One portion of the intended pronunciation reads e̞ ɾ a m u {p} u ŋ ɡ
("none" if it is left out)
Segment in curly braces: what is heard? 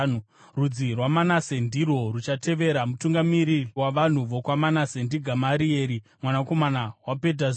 t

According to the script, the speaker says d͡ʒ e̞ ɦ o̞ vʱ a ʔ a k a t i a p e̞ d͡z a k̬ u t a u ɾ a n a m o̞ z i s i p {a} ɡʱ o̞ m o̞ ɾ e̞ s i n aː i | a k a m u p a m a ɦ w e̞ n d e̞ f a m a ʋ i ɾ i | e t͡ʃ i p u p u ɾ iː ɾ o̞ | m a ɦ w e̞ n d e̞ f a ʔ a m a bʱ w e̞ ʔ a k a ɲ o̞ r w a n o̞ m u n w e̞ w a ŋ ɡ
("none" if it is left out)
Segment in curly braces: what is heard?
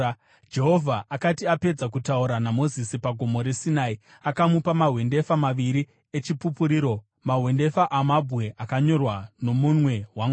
a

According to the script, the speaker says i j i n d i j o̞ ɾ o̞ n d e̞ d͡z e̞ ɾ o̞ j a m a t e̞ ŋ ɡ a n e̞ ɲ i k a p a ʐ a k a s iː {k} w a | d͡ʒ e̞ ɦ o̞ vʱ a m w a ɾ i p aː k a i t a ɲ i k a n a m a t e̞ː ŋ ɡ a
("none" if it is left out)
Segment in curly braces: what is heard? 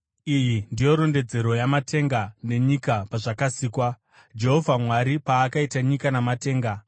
k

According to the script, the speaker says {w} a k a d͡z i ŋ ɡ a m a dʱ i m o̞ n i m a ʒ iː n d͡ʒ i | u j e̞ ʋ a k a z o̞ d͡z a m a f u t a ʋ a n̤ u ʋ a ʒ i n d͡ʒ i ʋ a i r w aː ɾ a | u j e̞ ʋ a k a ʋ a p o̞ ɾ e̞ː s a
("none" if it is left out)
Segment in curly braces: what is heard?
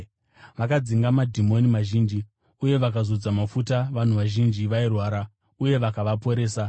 ʋ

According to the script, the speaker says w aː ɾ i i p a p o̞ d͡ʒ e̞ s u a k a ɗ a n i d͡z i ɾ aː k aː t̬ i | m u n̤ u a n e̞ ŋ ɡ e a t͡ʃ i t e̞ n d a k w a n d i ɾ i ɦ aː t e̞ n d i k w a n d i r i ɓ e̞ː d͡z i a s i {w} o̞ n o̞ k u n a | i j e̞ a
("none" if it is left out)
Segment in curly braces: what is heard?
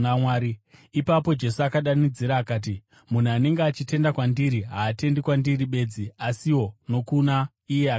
w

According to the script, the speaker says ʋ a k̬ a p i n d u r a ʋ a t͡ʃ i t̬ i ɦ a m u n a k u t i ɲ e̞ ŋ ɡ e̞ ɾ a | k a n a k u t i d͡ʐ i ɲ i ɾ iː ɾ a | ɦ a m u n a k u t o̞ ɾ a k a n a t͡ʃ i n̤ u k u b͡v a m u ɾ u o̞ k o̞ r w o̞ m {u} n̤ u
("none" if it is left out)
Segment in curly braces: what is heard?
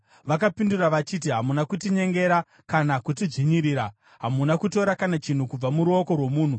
uː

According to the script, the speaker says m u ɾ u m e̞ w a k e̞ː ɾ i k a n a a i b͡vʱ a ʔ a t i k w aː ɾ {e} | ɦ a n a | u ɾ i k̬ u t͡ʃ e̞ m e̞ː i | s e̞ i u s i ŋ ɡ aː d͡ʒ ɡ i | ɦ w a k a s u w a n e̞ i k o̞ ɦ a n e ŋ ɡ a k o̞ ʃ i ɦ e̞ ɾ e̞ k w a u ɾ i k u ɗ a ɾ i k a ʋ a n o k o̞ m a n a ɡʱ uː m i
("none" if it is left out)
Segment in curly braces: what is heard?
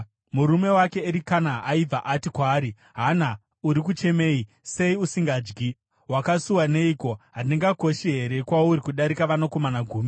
i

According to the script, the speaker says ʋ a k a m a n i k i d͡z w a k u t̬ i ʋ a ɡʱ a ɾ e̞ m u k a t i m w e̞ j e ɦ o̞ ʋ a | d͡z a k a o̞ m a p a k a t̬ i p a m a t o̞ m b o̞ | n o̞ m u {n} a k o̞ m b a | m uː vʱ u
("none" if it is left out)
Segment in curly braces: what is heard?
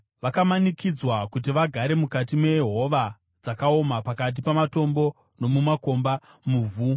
m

